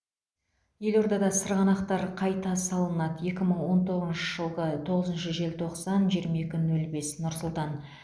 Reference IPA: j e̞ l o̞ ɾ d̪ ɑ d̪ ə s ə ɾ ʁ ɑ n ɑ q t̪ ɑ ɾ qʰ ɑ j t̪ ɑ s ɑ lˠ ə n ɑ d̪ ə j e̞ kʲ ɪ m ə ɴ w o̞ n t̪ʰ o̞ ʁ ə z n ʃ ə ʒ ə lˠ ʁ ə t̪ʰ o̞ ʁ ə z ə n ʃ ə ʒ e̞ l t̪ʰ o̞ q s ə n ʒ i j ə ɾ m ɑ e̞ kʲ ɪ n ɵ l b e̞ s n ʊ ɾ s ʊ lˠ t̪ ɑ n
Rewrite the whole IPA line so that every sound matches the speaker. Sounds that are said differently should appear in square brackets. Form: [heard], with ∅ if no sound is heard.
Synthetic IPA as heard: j e̞ l o̞ ɾ d̪ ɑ d̪ [ɑ] s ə ɾ ʁ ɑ n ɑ q t̪ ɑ ɾ qʰ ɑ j t̪ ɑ s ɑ lˠ ə n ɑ d̪ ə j e̞ kʲ ɪ m ə ɴ w o̞ n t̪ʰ o̞ ʁ ə z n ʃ ə ʒ ə lˠ ʁ ə t̪ʰ o̞ ʁ ə z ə n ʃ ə ʒ e̞ l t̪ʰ o̞ q s [ɑ] n ʒ i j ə ɾ m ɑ e̞ kʲ ɪ n ɵ l b e̞ s n ʊ ɾ s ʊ lˠ t̪ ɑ n

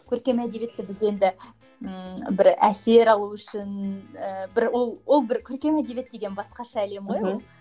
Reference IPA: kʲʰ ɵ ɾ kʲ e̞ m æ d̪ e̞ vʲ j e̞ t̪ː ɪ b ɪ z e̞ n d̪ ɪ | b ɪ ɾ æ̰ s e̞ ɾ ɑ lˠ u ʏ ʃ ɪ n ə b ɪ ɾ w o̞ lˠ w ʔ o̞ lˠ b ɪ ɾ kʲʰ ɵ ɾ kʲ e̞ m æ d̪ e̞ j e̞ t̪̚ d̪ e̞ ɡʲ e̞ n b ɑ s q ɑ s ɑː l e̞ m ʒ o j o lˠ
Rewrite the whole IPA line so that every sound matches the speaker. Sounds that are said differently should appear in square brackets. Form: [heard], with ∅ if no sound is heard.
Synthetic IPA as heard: kʲʰ ɵ ɾ kʲ e̞ m æ d̪ e̞ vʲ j e̞ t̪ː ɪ b ɪ z e̞ n d̪ ɪ | b ɪ ɾ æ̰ s e̞ ɾ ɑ lˠ u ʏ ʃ ɪ n ə b ɪ ɾ w o̞ lˠ w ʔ o̞ lˠ b ɪ ɾ kʲʰ ɵ ɾ kʲ e̞ m æ d̪ e̞ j e̞ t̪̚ d̪ e̞ ɡʲ e̞ n b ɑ s q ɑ [ʃ] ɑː l e̞ m [ʁ] o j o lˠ

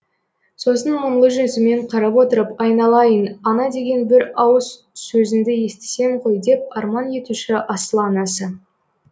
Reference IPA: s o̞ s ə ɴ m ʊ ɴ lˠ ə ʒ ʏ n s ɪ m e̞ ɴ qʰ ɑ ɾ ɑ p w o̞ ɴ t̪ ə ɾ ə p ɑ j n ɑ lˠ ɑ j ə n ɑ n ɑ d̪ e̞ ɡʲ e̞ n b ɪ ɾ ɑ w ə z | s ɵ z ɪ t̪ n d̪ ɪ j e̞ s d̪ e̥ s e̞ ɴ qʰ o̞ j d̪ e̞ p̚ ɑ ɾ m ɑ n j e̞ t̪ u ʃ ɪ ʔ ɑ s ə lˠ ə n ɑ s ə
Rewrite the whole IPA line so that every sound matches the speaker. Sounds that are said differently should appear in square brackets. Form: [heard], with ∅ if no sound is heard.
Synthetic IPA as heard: s o̞ s ə [n] m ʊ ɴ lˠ ə ʒ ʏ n s ɪ m e̞ ɴ qʰ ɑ ɾ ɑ p w o̞ [∅] t̪ ə ɾ ə p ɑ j n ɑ lˠ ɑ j ə n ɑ n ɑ d̪ e̞ ɡʲ e̞ n b ɪ ɾ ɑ w ə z | s ɵ z ɪ [∅] n d̪ ɪ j e̞ s [t̪] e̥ s e̞ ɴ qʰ o̞ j d̪ e̞ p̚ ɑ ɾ m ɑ n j e̞ t̪ u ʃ ɪ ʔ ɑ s ə lˠ [ɑ] n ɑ s ə

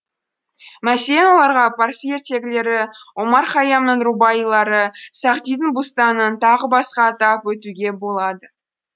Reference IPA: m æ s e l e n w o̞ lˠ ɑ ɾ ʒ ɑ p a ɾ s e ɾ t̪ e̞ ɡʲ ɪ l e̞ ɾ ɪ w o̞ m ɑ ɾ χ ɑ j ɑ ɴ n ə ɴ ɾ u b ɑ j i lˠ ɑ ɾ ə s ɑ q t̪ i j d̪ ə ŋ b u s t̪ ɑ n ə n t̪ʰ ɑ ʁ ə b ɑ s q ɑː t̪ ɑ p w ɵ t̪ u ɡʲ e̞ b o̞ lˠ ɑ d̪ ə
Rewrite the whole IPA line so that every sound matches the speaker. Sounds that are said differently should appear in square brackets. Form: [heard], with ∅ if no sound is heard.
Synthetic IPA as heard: m æ s e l e n w o̞ lˠ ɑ ɾ [ʁ] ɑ p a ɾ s e ɾ t̪ e̞ ɡʲ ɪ l e̞ ɾ ɪ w o̞ m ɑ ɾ χ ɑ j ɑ [m] n ə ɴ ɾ u b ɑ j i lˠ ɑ ɾ ə s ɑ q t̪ i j d̪ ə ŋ b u s t̪ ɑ n ə n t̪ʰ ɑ ʁ ə b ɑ s q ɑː t̪ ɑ p w ɵ t̪ u ɡʲ e̞ b o̞ lˠ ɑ d̪ ə

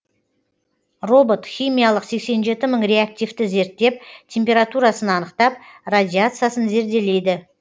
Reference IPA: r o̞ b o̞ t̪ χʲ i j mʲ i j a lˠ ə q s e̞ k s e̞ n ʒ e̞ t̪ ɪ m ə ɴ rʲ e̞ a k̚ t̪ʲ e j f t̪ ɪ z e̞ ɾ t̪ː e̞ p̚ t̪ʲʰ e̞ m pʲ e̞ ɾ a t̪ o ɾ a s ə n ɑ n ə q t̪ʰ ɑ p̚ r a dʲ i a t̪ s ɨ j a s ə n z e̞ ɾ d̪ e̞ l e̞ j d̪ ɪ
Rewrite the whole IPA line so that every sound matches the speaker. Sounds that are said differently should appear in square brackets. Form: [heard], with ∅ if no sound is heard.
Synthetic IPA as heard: r o̞ b o̞ t̪ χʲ i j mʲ i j a lˠ ə q s e̞ k s e̞ n ʒ e̞ t̪ ɪ m ə ɴ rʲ e̞ a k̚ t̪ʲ [i] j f t̪ ɪ z e̞ ɾ t̪ː e̞ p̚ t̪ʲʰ e̞ m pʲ e̞ ɾ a t̪ [u] ɾ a s ə n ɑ n ə q [t̪] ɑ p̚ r a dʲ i a t̪ s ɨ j a s ə n z e̞ ɾ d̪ e̞ l e̞ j d̪ ɪ

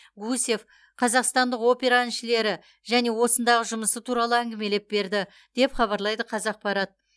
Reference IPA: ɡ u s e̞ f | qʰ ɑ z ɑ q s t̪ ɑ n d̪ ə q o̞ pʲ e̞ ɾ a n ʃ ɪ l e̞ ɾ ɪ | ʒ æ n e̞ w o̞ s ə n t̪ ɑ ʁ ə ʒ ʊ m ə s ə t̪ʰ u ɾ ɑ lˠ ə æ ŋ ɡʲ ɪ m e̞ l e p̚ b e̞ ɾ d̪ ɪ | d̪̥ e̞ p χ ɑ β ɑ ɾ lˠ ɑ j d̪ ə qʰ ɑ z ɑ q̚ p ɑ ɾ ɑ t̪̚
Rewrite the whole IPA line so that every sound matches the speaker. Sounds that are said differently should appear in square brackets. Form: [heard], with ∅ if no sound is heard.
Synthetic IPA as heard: ɡ u s e̞ f | qʰ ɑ z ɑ q s t̪ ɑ n d̪ ə q o̞ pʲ e̞ ɾ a n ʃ ɪ l e̞ ɾ ɪ | ʒ æ n e̞ w o̞ s ə n [d̪] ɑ ʁ ə ʒ ʊ m ə s ə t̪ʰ u ɾ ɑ lˠ ə æ ŋ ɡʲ ɪ m e̞ l e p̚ b e̞ ɾ d̪ ɪ | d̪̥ e̞ p χ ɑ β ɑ ɾ lˠ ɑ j d̪ ə qʰ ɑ z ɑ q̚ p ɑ ɾ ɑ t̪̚

